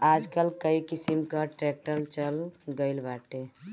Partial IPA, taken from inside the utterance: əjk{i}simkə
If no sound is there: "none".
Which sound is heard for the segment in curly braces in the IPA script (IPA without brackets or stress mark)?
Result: i